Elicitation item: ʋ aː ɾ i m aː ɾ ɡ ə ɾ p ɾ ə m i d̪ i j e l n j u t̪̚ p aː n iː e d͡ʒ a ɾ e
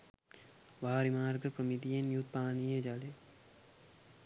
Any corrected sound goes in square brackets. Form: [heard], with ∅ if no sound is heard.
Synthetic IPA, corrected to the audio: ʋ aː ɾ i m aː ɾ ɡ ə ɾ p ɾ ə m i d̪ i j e [∅] n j u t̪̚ p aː n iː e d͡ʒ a [l] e